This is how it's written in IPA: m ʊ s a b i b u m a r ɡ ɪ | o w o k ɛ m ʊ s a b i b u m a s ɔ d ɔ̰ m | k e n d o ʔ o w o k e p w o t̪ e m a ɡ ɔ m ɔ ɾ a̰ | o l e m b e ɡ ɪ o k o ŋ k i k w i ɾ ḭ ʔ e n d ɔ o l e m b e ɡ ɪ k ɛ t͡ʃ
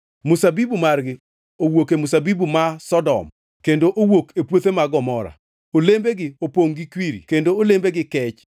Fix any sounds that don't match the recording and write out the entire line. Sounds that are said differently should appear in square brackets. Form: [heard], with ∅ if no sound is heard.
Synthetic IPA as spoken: m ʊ s a b i b u m a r ɡ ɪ | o w o k [e] m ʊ s a b i b u m a s ɔ d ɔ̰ m | k e n d o ʔ o w o k e p w o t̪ e m a ɡ ɔ m ɔ ɾ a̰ | o l e m b e ɡ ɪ o [p] o ŋ [ɡ] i k w i ɾ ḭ [k] e n d [o] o l e m b e ɡ ɪ k ɛ t͡ʃ